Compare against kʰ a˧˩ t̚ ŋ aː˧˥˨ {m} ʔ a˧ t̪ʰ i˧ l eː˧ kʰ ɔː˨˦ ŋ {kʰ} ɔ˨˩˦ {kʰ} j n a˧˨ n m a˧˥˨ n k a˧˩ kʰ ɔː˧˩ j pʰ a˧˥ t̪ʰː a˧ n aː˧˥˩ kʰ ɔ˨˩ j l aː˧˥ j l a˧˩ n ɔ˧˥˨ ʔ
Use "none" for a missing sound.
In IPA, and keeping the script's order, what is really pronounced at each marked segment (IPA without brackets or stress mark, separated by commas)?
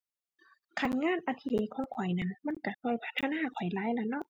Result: n, kʰ, none